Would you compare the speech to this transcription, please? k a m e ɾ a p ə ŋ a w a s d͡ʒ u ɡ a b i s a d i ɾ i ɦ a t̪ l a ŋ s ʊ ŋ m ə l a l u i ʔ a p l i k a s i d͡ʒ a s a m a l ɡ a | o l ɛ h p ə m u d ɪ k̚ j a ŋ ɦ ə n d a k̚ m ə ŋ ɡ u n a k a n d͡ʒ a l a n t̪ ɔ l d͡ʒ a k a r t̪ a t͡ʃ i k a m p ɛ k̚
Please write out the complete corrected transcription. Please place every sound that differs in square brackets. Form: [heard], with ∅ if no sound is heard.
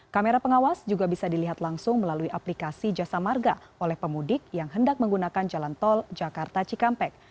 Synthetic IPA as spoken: k a m e ɾ a p ə ŋ a w a s d͡ʒ u ɡ a b i s a d i [l] i ɦ a t̪ l a ŋ s ʊ ŋ m ə l a l u i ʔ a p l i k a s i d͡ʒ a s a m a [r] ɡ a | o l ɛ h p ə m u d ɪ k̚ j a ŋ ɦ ə n d a k̚ m ə ŋ ɡ u n a k a n d͡ʒ a l a n t̪ ɔ l d͡ʒ a k a r t̪ a t͡ʃ i k a m p ɛ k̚